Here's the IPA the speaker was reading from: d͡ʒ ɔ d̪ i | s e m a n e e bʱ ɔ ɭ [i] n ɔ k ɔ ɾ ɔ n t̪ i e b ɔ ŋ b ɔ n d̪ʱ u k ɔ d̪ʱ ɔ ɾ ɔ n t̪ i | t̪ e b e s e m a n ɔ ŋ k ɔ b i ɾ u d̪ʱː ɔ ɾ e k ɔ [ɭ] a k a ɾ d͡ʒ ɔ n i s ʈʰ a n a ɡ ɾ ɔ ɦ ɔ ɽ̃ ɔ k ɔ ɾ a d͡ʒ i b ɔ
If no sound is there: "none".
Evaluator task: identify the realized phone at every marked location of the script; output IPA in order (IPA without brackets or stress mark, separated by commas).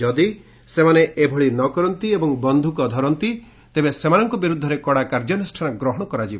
i, ɽ